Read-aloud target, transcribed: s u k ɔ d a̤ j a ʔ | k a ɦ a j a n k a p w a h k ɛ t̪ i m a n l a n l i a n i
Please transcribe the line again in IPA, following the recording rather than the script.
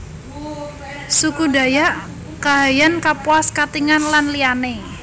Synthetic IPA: s u k u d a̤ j a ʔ | k a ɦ a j a n k a p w a s k a t̪ i ŋ a n l a n l i a n e